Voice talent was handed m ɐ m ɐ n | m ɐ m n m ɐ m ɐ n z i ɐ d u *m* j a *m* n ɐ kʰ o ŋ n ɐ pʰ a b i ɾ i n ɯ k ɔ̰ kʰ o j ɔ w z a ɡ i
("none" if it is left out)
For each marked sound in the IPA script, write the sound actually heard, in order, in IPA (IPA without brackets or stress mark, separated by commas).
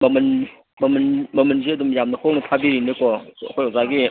m, m